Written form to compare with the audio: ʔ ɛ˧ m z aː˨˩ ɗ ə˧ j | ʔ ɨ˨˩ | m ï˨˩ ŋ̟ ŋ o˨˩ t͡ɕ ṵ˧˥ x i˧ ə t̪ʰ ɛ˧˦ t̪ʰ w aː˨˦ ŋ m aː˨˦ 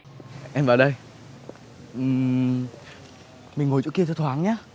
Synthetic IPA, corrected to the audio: ʔ ɛ˧ m v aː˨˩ ɗ ə˧ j | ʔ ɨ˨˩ | m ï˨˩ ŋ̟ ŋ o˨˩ t͡ɕ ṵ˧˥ k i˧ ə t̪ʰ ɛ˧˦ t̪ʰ w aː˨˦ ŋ ɲ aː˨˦